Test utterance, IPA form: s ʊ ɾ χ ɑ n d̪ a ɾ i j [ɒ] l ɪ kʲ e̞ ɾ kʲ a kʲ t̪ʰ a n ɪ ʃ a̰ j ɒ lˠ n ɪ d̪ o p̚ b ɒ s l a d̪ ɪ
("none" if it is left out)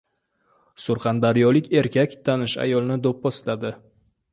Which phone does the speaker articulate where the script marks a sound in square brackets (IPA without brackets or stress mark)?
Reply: ɒ